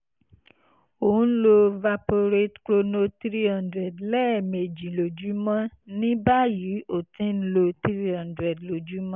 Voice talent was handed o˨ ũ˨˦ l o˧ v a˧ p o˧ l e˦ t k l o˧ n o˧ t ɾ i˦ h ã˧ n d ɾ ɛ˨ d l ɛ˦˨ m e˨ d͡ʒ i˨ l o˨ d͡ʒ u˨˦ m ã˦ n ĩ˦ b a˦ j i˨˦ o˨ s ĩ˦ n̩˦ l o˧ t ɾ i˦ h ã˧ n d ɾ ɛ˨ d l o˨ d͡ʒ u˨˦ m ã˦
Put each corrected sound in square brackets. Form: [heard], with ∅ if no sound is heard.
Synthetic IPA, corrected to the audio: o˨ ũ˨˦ l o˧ v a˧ p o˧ [ɾ] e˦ t k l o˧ n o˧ t ɾ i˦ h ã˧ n d ɾ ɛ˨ d l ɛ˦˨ m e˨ d͡ʒ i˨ l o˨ d͡ʒ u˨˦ m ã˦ n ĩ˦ b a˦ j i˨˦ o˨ [t] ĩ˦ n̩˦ l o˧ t ɾ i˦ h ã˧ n d ɾ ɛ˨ d l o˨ d͡ʒ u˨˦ m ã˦